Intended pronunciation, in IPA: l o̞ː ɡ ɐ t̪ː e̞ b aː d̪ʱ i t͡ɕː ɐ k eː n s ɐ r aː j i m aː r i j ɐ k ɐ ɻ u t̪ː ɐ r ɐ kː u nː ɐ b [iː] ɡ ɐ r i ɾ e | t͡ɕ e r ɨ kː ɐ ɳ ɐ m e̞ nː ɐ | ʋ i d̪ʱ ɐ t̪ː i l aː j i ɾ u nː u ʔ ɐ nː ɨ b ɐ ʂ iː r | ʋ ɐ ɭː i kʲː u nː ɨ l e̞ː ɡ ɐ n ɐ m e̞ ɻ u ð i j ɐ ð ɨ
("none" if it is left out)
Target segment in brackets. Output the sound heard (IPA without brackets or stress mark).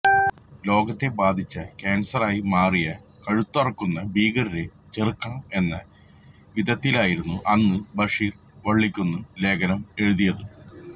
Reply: iː